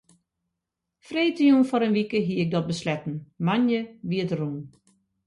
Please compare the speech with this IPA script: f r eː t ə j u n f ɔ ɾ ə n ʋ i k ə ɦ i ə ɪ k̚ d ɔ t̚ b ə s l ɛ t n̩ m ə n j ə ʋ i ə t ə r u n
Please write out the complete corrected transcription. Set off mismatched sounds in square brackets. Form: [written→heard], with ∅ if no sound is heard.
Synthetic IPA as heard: f r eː t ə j u n f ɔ ɾ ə n ʋ i k ə ɦ i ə ɪ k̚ d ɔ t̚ b ə s l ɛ t n̩ m [ə→a] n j ə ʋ i ə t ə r u n